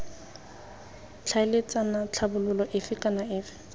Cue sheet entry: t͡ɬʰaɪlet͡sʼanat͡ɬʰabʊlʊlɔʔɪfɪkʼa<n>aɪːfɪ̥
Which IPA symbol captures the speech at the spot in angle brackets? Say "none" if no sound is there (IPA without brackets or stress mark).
n